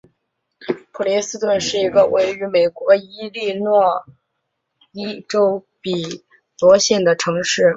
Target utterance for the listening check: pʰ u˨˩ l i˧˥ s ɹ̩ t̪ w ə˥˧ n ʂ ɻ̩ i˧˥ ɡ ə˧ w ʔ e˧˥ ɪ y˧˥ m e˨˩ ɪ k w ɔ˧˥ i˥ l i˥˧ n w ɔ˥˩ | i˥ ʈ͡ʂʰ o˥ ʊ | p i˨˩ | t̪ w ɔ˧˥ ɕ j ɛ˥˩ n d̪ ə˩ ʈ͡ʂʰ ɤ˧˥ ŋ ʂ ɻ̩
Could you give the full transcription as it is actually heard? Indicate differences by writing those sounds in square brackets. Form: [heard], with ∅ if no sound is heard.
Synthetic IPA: pʰ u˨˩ l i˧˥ s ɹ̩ t̪ w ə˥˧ n ʂ ɻ̩ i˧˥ ɡ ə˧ w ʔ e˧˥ ɪ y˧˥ m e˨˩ ɪ k w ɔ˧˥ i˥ l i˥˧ n w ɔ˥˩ | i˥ [ʈ͡ʂ] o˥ ʊ | p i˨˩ | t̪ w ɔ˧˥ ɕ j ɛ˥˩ n d̪ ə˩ ʈ͡ʂʰ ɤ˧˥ ŋ ʂ ɻ̩